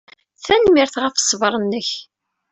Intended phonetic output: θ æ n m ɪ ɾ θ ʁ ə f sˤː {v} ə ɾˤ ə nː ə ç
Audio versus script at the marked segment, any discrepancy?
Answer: no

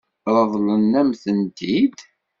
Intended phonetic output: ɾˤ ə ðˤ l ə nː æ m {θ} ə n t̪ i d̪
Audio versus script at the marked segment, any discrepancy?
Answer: no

